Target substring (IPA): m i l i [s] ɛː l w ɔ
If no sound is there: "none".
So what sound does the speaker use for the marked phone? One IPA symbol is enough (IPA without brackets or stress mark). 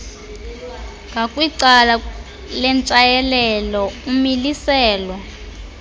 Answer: s